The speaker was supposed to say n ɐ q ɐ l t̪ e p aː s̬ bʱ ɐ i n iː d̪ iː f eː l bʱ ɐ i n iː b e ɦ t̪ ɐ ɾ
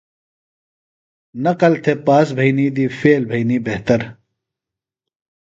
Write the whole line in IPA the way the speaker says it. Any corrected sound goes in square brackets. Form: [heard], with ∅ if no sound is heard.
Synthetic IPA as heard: n ɐ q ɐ l [t̪ʰ] e p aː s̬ bʱ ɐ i n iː d̪ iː f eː l bʱ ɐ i n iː b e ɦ t̪ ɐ ɾ